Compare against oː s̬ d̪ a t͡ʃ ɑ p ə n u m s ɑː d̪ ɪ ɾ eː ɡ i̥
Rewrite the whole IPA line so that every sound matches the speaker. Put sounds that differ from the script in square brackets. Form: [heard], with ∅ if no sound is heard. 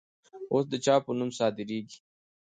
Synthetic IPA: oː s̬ d̪ [ə] t͡ʃ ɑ p ə n u m s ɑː d̪ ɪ ɾ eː ɡ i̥